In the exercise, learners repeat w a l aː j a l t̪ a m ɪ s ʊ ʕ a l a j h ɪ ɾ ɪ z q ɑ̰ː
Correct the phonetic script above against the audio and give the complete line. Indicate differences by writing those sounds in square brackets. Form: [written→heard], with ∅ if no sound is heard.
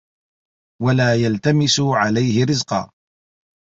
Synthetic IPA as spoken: w a l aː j a l t̪ a m ɪ s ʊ ʕ a l a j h ɪ ɾ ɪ z q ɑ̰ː